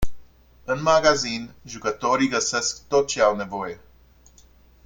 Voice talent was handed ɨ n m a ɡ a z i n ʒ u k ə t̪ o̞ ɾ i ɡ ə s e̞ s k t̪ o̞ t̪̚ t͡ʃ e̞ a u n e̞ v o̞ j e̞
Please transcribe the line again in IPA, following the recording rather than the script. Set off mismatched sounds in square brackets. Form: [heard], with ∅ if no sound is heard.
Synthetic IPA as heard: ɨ n m a ɡ a z i n ʒ u k ə t̪ o̞ ɾ i ɡ ə s e̞ s k t̪ o̞ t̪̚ t͡ʃ e̞ a [w] n e̞ v o̞ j e̞